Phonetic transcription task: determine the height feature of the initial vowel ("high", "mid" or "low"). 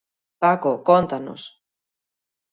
low